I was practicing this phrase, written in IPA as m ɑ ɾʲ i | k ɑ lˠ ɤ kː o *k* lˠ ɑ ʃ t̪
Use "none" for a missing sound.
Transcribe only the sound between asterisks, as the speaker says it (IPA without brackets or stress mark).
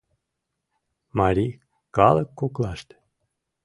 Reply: k